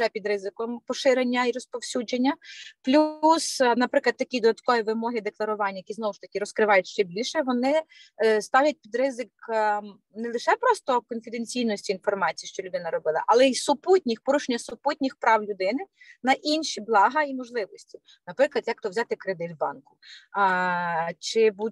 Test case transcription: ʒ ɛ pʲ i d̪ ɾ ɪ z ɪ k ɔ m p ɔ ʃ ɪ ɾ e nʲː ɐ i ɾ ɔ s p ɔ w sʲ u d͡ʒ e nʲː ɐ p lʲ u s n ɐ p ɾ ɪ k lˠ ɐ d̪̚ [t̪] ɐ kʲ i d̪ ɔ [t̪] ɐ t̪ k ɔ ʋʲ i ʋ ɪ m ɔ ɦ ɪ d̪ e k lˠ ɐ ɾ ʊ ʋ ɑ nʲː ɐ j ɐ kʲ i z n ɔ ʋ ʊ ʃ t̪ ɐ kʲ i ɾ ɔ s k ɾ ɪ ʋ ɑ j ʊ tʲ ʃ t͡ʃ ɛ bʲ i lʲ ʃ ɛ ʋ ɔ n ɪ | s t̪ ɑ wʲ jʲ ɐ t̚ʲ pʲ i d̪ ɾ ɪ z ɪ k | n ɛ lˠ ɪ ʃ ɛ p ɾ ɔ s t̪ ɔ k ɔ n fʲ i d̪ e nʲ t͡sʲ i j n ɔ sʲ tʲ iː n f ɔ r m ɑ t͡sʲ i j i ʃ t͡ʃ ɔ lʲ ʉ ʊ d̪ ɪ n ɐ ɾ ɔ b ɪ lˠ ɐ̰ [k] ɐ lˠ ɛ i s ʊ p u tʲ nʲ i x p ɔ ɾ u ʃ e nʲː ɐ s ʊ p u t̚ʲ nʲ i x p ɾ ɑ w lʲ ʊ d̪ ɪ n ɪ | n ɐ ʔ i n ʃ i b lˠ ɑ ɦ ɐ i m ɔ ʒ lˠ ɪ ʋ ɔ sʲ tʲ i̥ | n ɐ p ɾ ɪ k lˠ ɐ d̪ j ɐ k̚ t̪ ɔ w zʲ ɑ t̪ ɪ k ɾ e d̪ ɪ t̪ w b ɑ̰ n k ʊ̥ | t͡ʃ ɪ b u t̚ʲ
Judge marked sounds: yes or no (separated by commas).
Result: yes, no, no